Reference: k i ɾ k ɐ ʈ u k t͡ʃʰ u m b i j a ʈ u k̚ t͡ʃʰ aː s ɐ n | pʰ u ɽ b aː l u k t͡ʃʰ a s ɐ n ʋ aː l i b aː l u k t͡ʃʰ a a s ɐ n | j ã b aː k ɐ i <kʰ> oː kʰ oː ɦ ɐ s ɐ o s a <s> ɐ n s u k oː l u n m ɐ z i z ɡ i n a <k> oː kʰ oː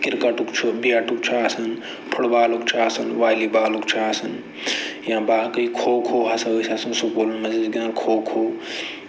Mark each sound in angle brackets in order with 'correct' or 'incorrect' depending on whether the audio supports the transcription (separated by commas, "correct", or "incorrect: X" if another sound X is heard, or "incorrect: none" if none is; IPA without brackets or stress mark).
correct, correct, incorrect: kʰ